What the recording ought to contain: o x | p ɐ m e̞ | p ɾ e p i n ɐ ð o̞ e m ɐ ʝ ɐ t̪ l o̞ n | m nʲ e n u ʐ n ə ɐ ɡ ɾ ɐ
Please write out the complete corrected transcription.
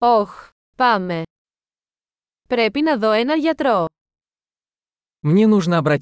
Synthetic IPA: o x | p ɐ m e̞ | p ɾ e p i n ɐ ð o̞ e n ɐ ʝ ɐ t̪ ɾ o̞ | m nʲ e n u ʐ n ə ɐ b ɾ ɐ